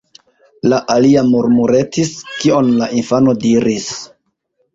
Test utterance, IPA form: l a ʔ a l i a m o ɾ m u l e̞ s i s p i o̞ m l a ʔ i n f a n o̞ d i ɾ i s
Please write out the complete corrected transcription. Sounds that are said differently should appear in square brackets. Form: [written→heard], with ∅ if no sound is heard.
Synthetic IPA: l a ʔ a l i a m [o→u] ɾ m u [l→ɾ] e̞ [s→t] i s [p→k] i o̞ [m→n] l a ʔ i n f a n o̞ d i ɾ i s